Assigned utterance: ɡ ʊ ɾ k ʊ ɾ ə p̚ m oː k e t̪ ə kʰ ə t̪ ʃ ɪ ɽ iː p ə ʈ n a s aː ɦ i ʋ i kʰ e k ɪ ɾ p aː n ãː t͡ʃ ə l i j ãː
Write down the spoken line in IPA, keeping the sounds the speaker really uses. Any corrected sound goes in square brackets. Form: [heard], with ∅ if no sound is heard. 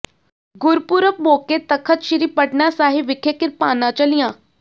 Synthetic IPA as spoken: ɡ ʊ ɾ [p] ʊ ɾ ə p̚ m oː k e t̪ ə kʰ ə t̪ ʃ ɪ [ɾ] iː p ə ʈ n a s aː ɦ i ʋ [ɪ] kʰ e k ɪ ɾ p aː n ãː t͡ʃ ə l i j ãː